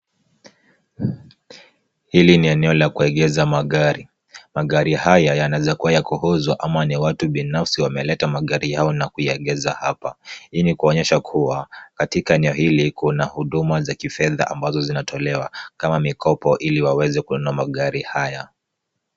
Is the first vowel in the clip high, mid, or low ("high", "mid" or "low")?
high